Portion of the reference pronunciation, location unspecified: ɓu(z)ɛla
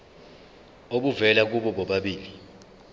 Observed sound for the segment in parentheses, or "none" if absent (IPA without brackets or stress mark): v